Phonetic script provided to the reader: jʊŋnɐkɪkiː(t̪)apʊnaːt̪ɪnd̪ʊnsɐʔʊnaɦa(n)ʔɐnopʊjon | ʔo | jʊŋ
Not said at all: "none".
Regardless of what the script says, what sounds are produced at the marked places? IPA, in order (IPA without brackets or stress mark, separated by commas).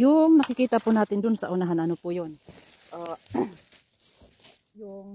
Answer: t̪, n